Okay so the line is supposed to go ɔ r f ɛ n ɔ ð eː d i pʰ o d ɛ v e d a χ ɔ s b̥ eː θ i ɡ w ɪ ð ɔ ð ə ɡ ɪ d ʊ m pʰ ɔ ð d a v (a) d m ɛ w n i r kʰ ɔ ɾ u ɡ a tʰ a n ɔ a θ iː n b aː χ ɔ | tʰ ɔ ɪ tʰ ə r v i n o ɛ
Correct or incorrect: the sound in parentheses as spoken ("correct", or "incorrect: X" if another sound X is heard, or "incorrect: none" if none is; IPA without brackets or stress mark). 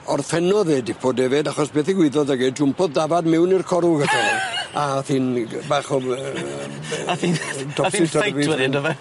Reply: correct